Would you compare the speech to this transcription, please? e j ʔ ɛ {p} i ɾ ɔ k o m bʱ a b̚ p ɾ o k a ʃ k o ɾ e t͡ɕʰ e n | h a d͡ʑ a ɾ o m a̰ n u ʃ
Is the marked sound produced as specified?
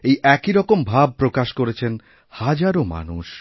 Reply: no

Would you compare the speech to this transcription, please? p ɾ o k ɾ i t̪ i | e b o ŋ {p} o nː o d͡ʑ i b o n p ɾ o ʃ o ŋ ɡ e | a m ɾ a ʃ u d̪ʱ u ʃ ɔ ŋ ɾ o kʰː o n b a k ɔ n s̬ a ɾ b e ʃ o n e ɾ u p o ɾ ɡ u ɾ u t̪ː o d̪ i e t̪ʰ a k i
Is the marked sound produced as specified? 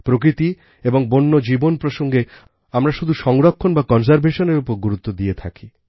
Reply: no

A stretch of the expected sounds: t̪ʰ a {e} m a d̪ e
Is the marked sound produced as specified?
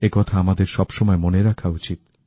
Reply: no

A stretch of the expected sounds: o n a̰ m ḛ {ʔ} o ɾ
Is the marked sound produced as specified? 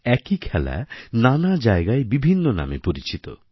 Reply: no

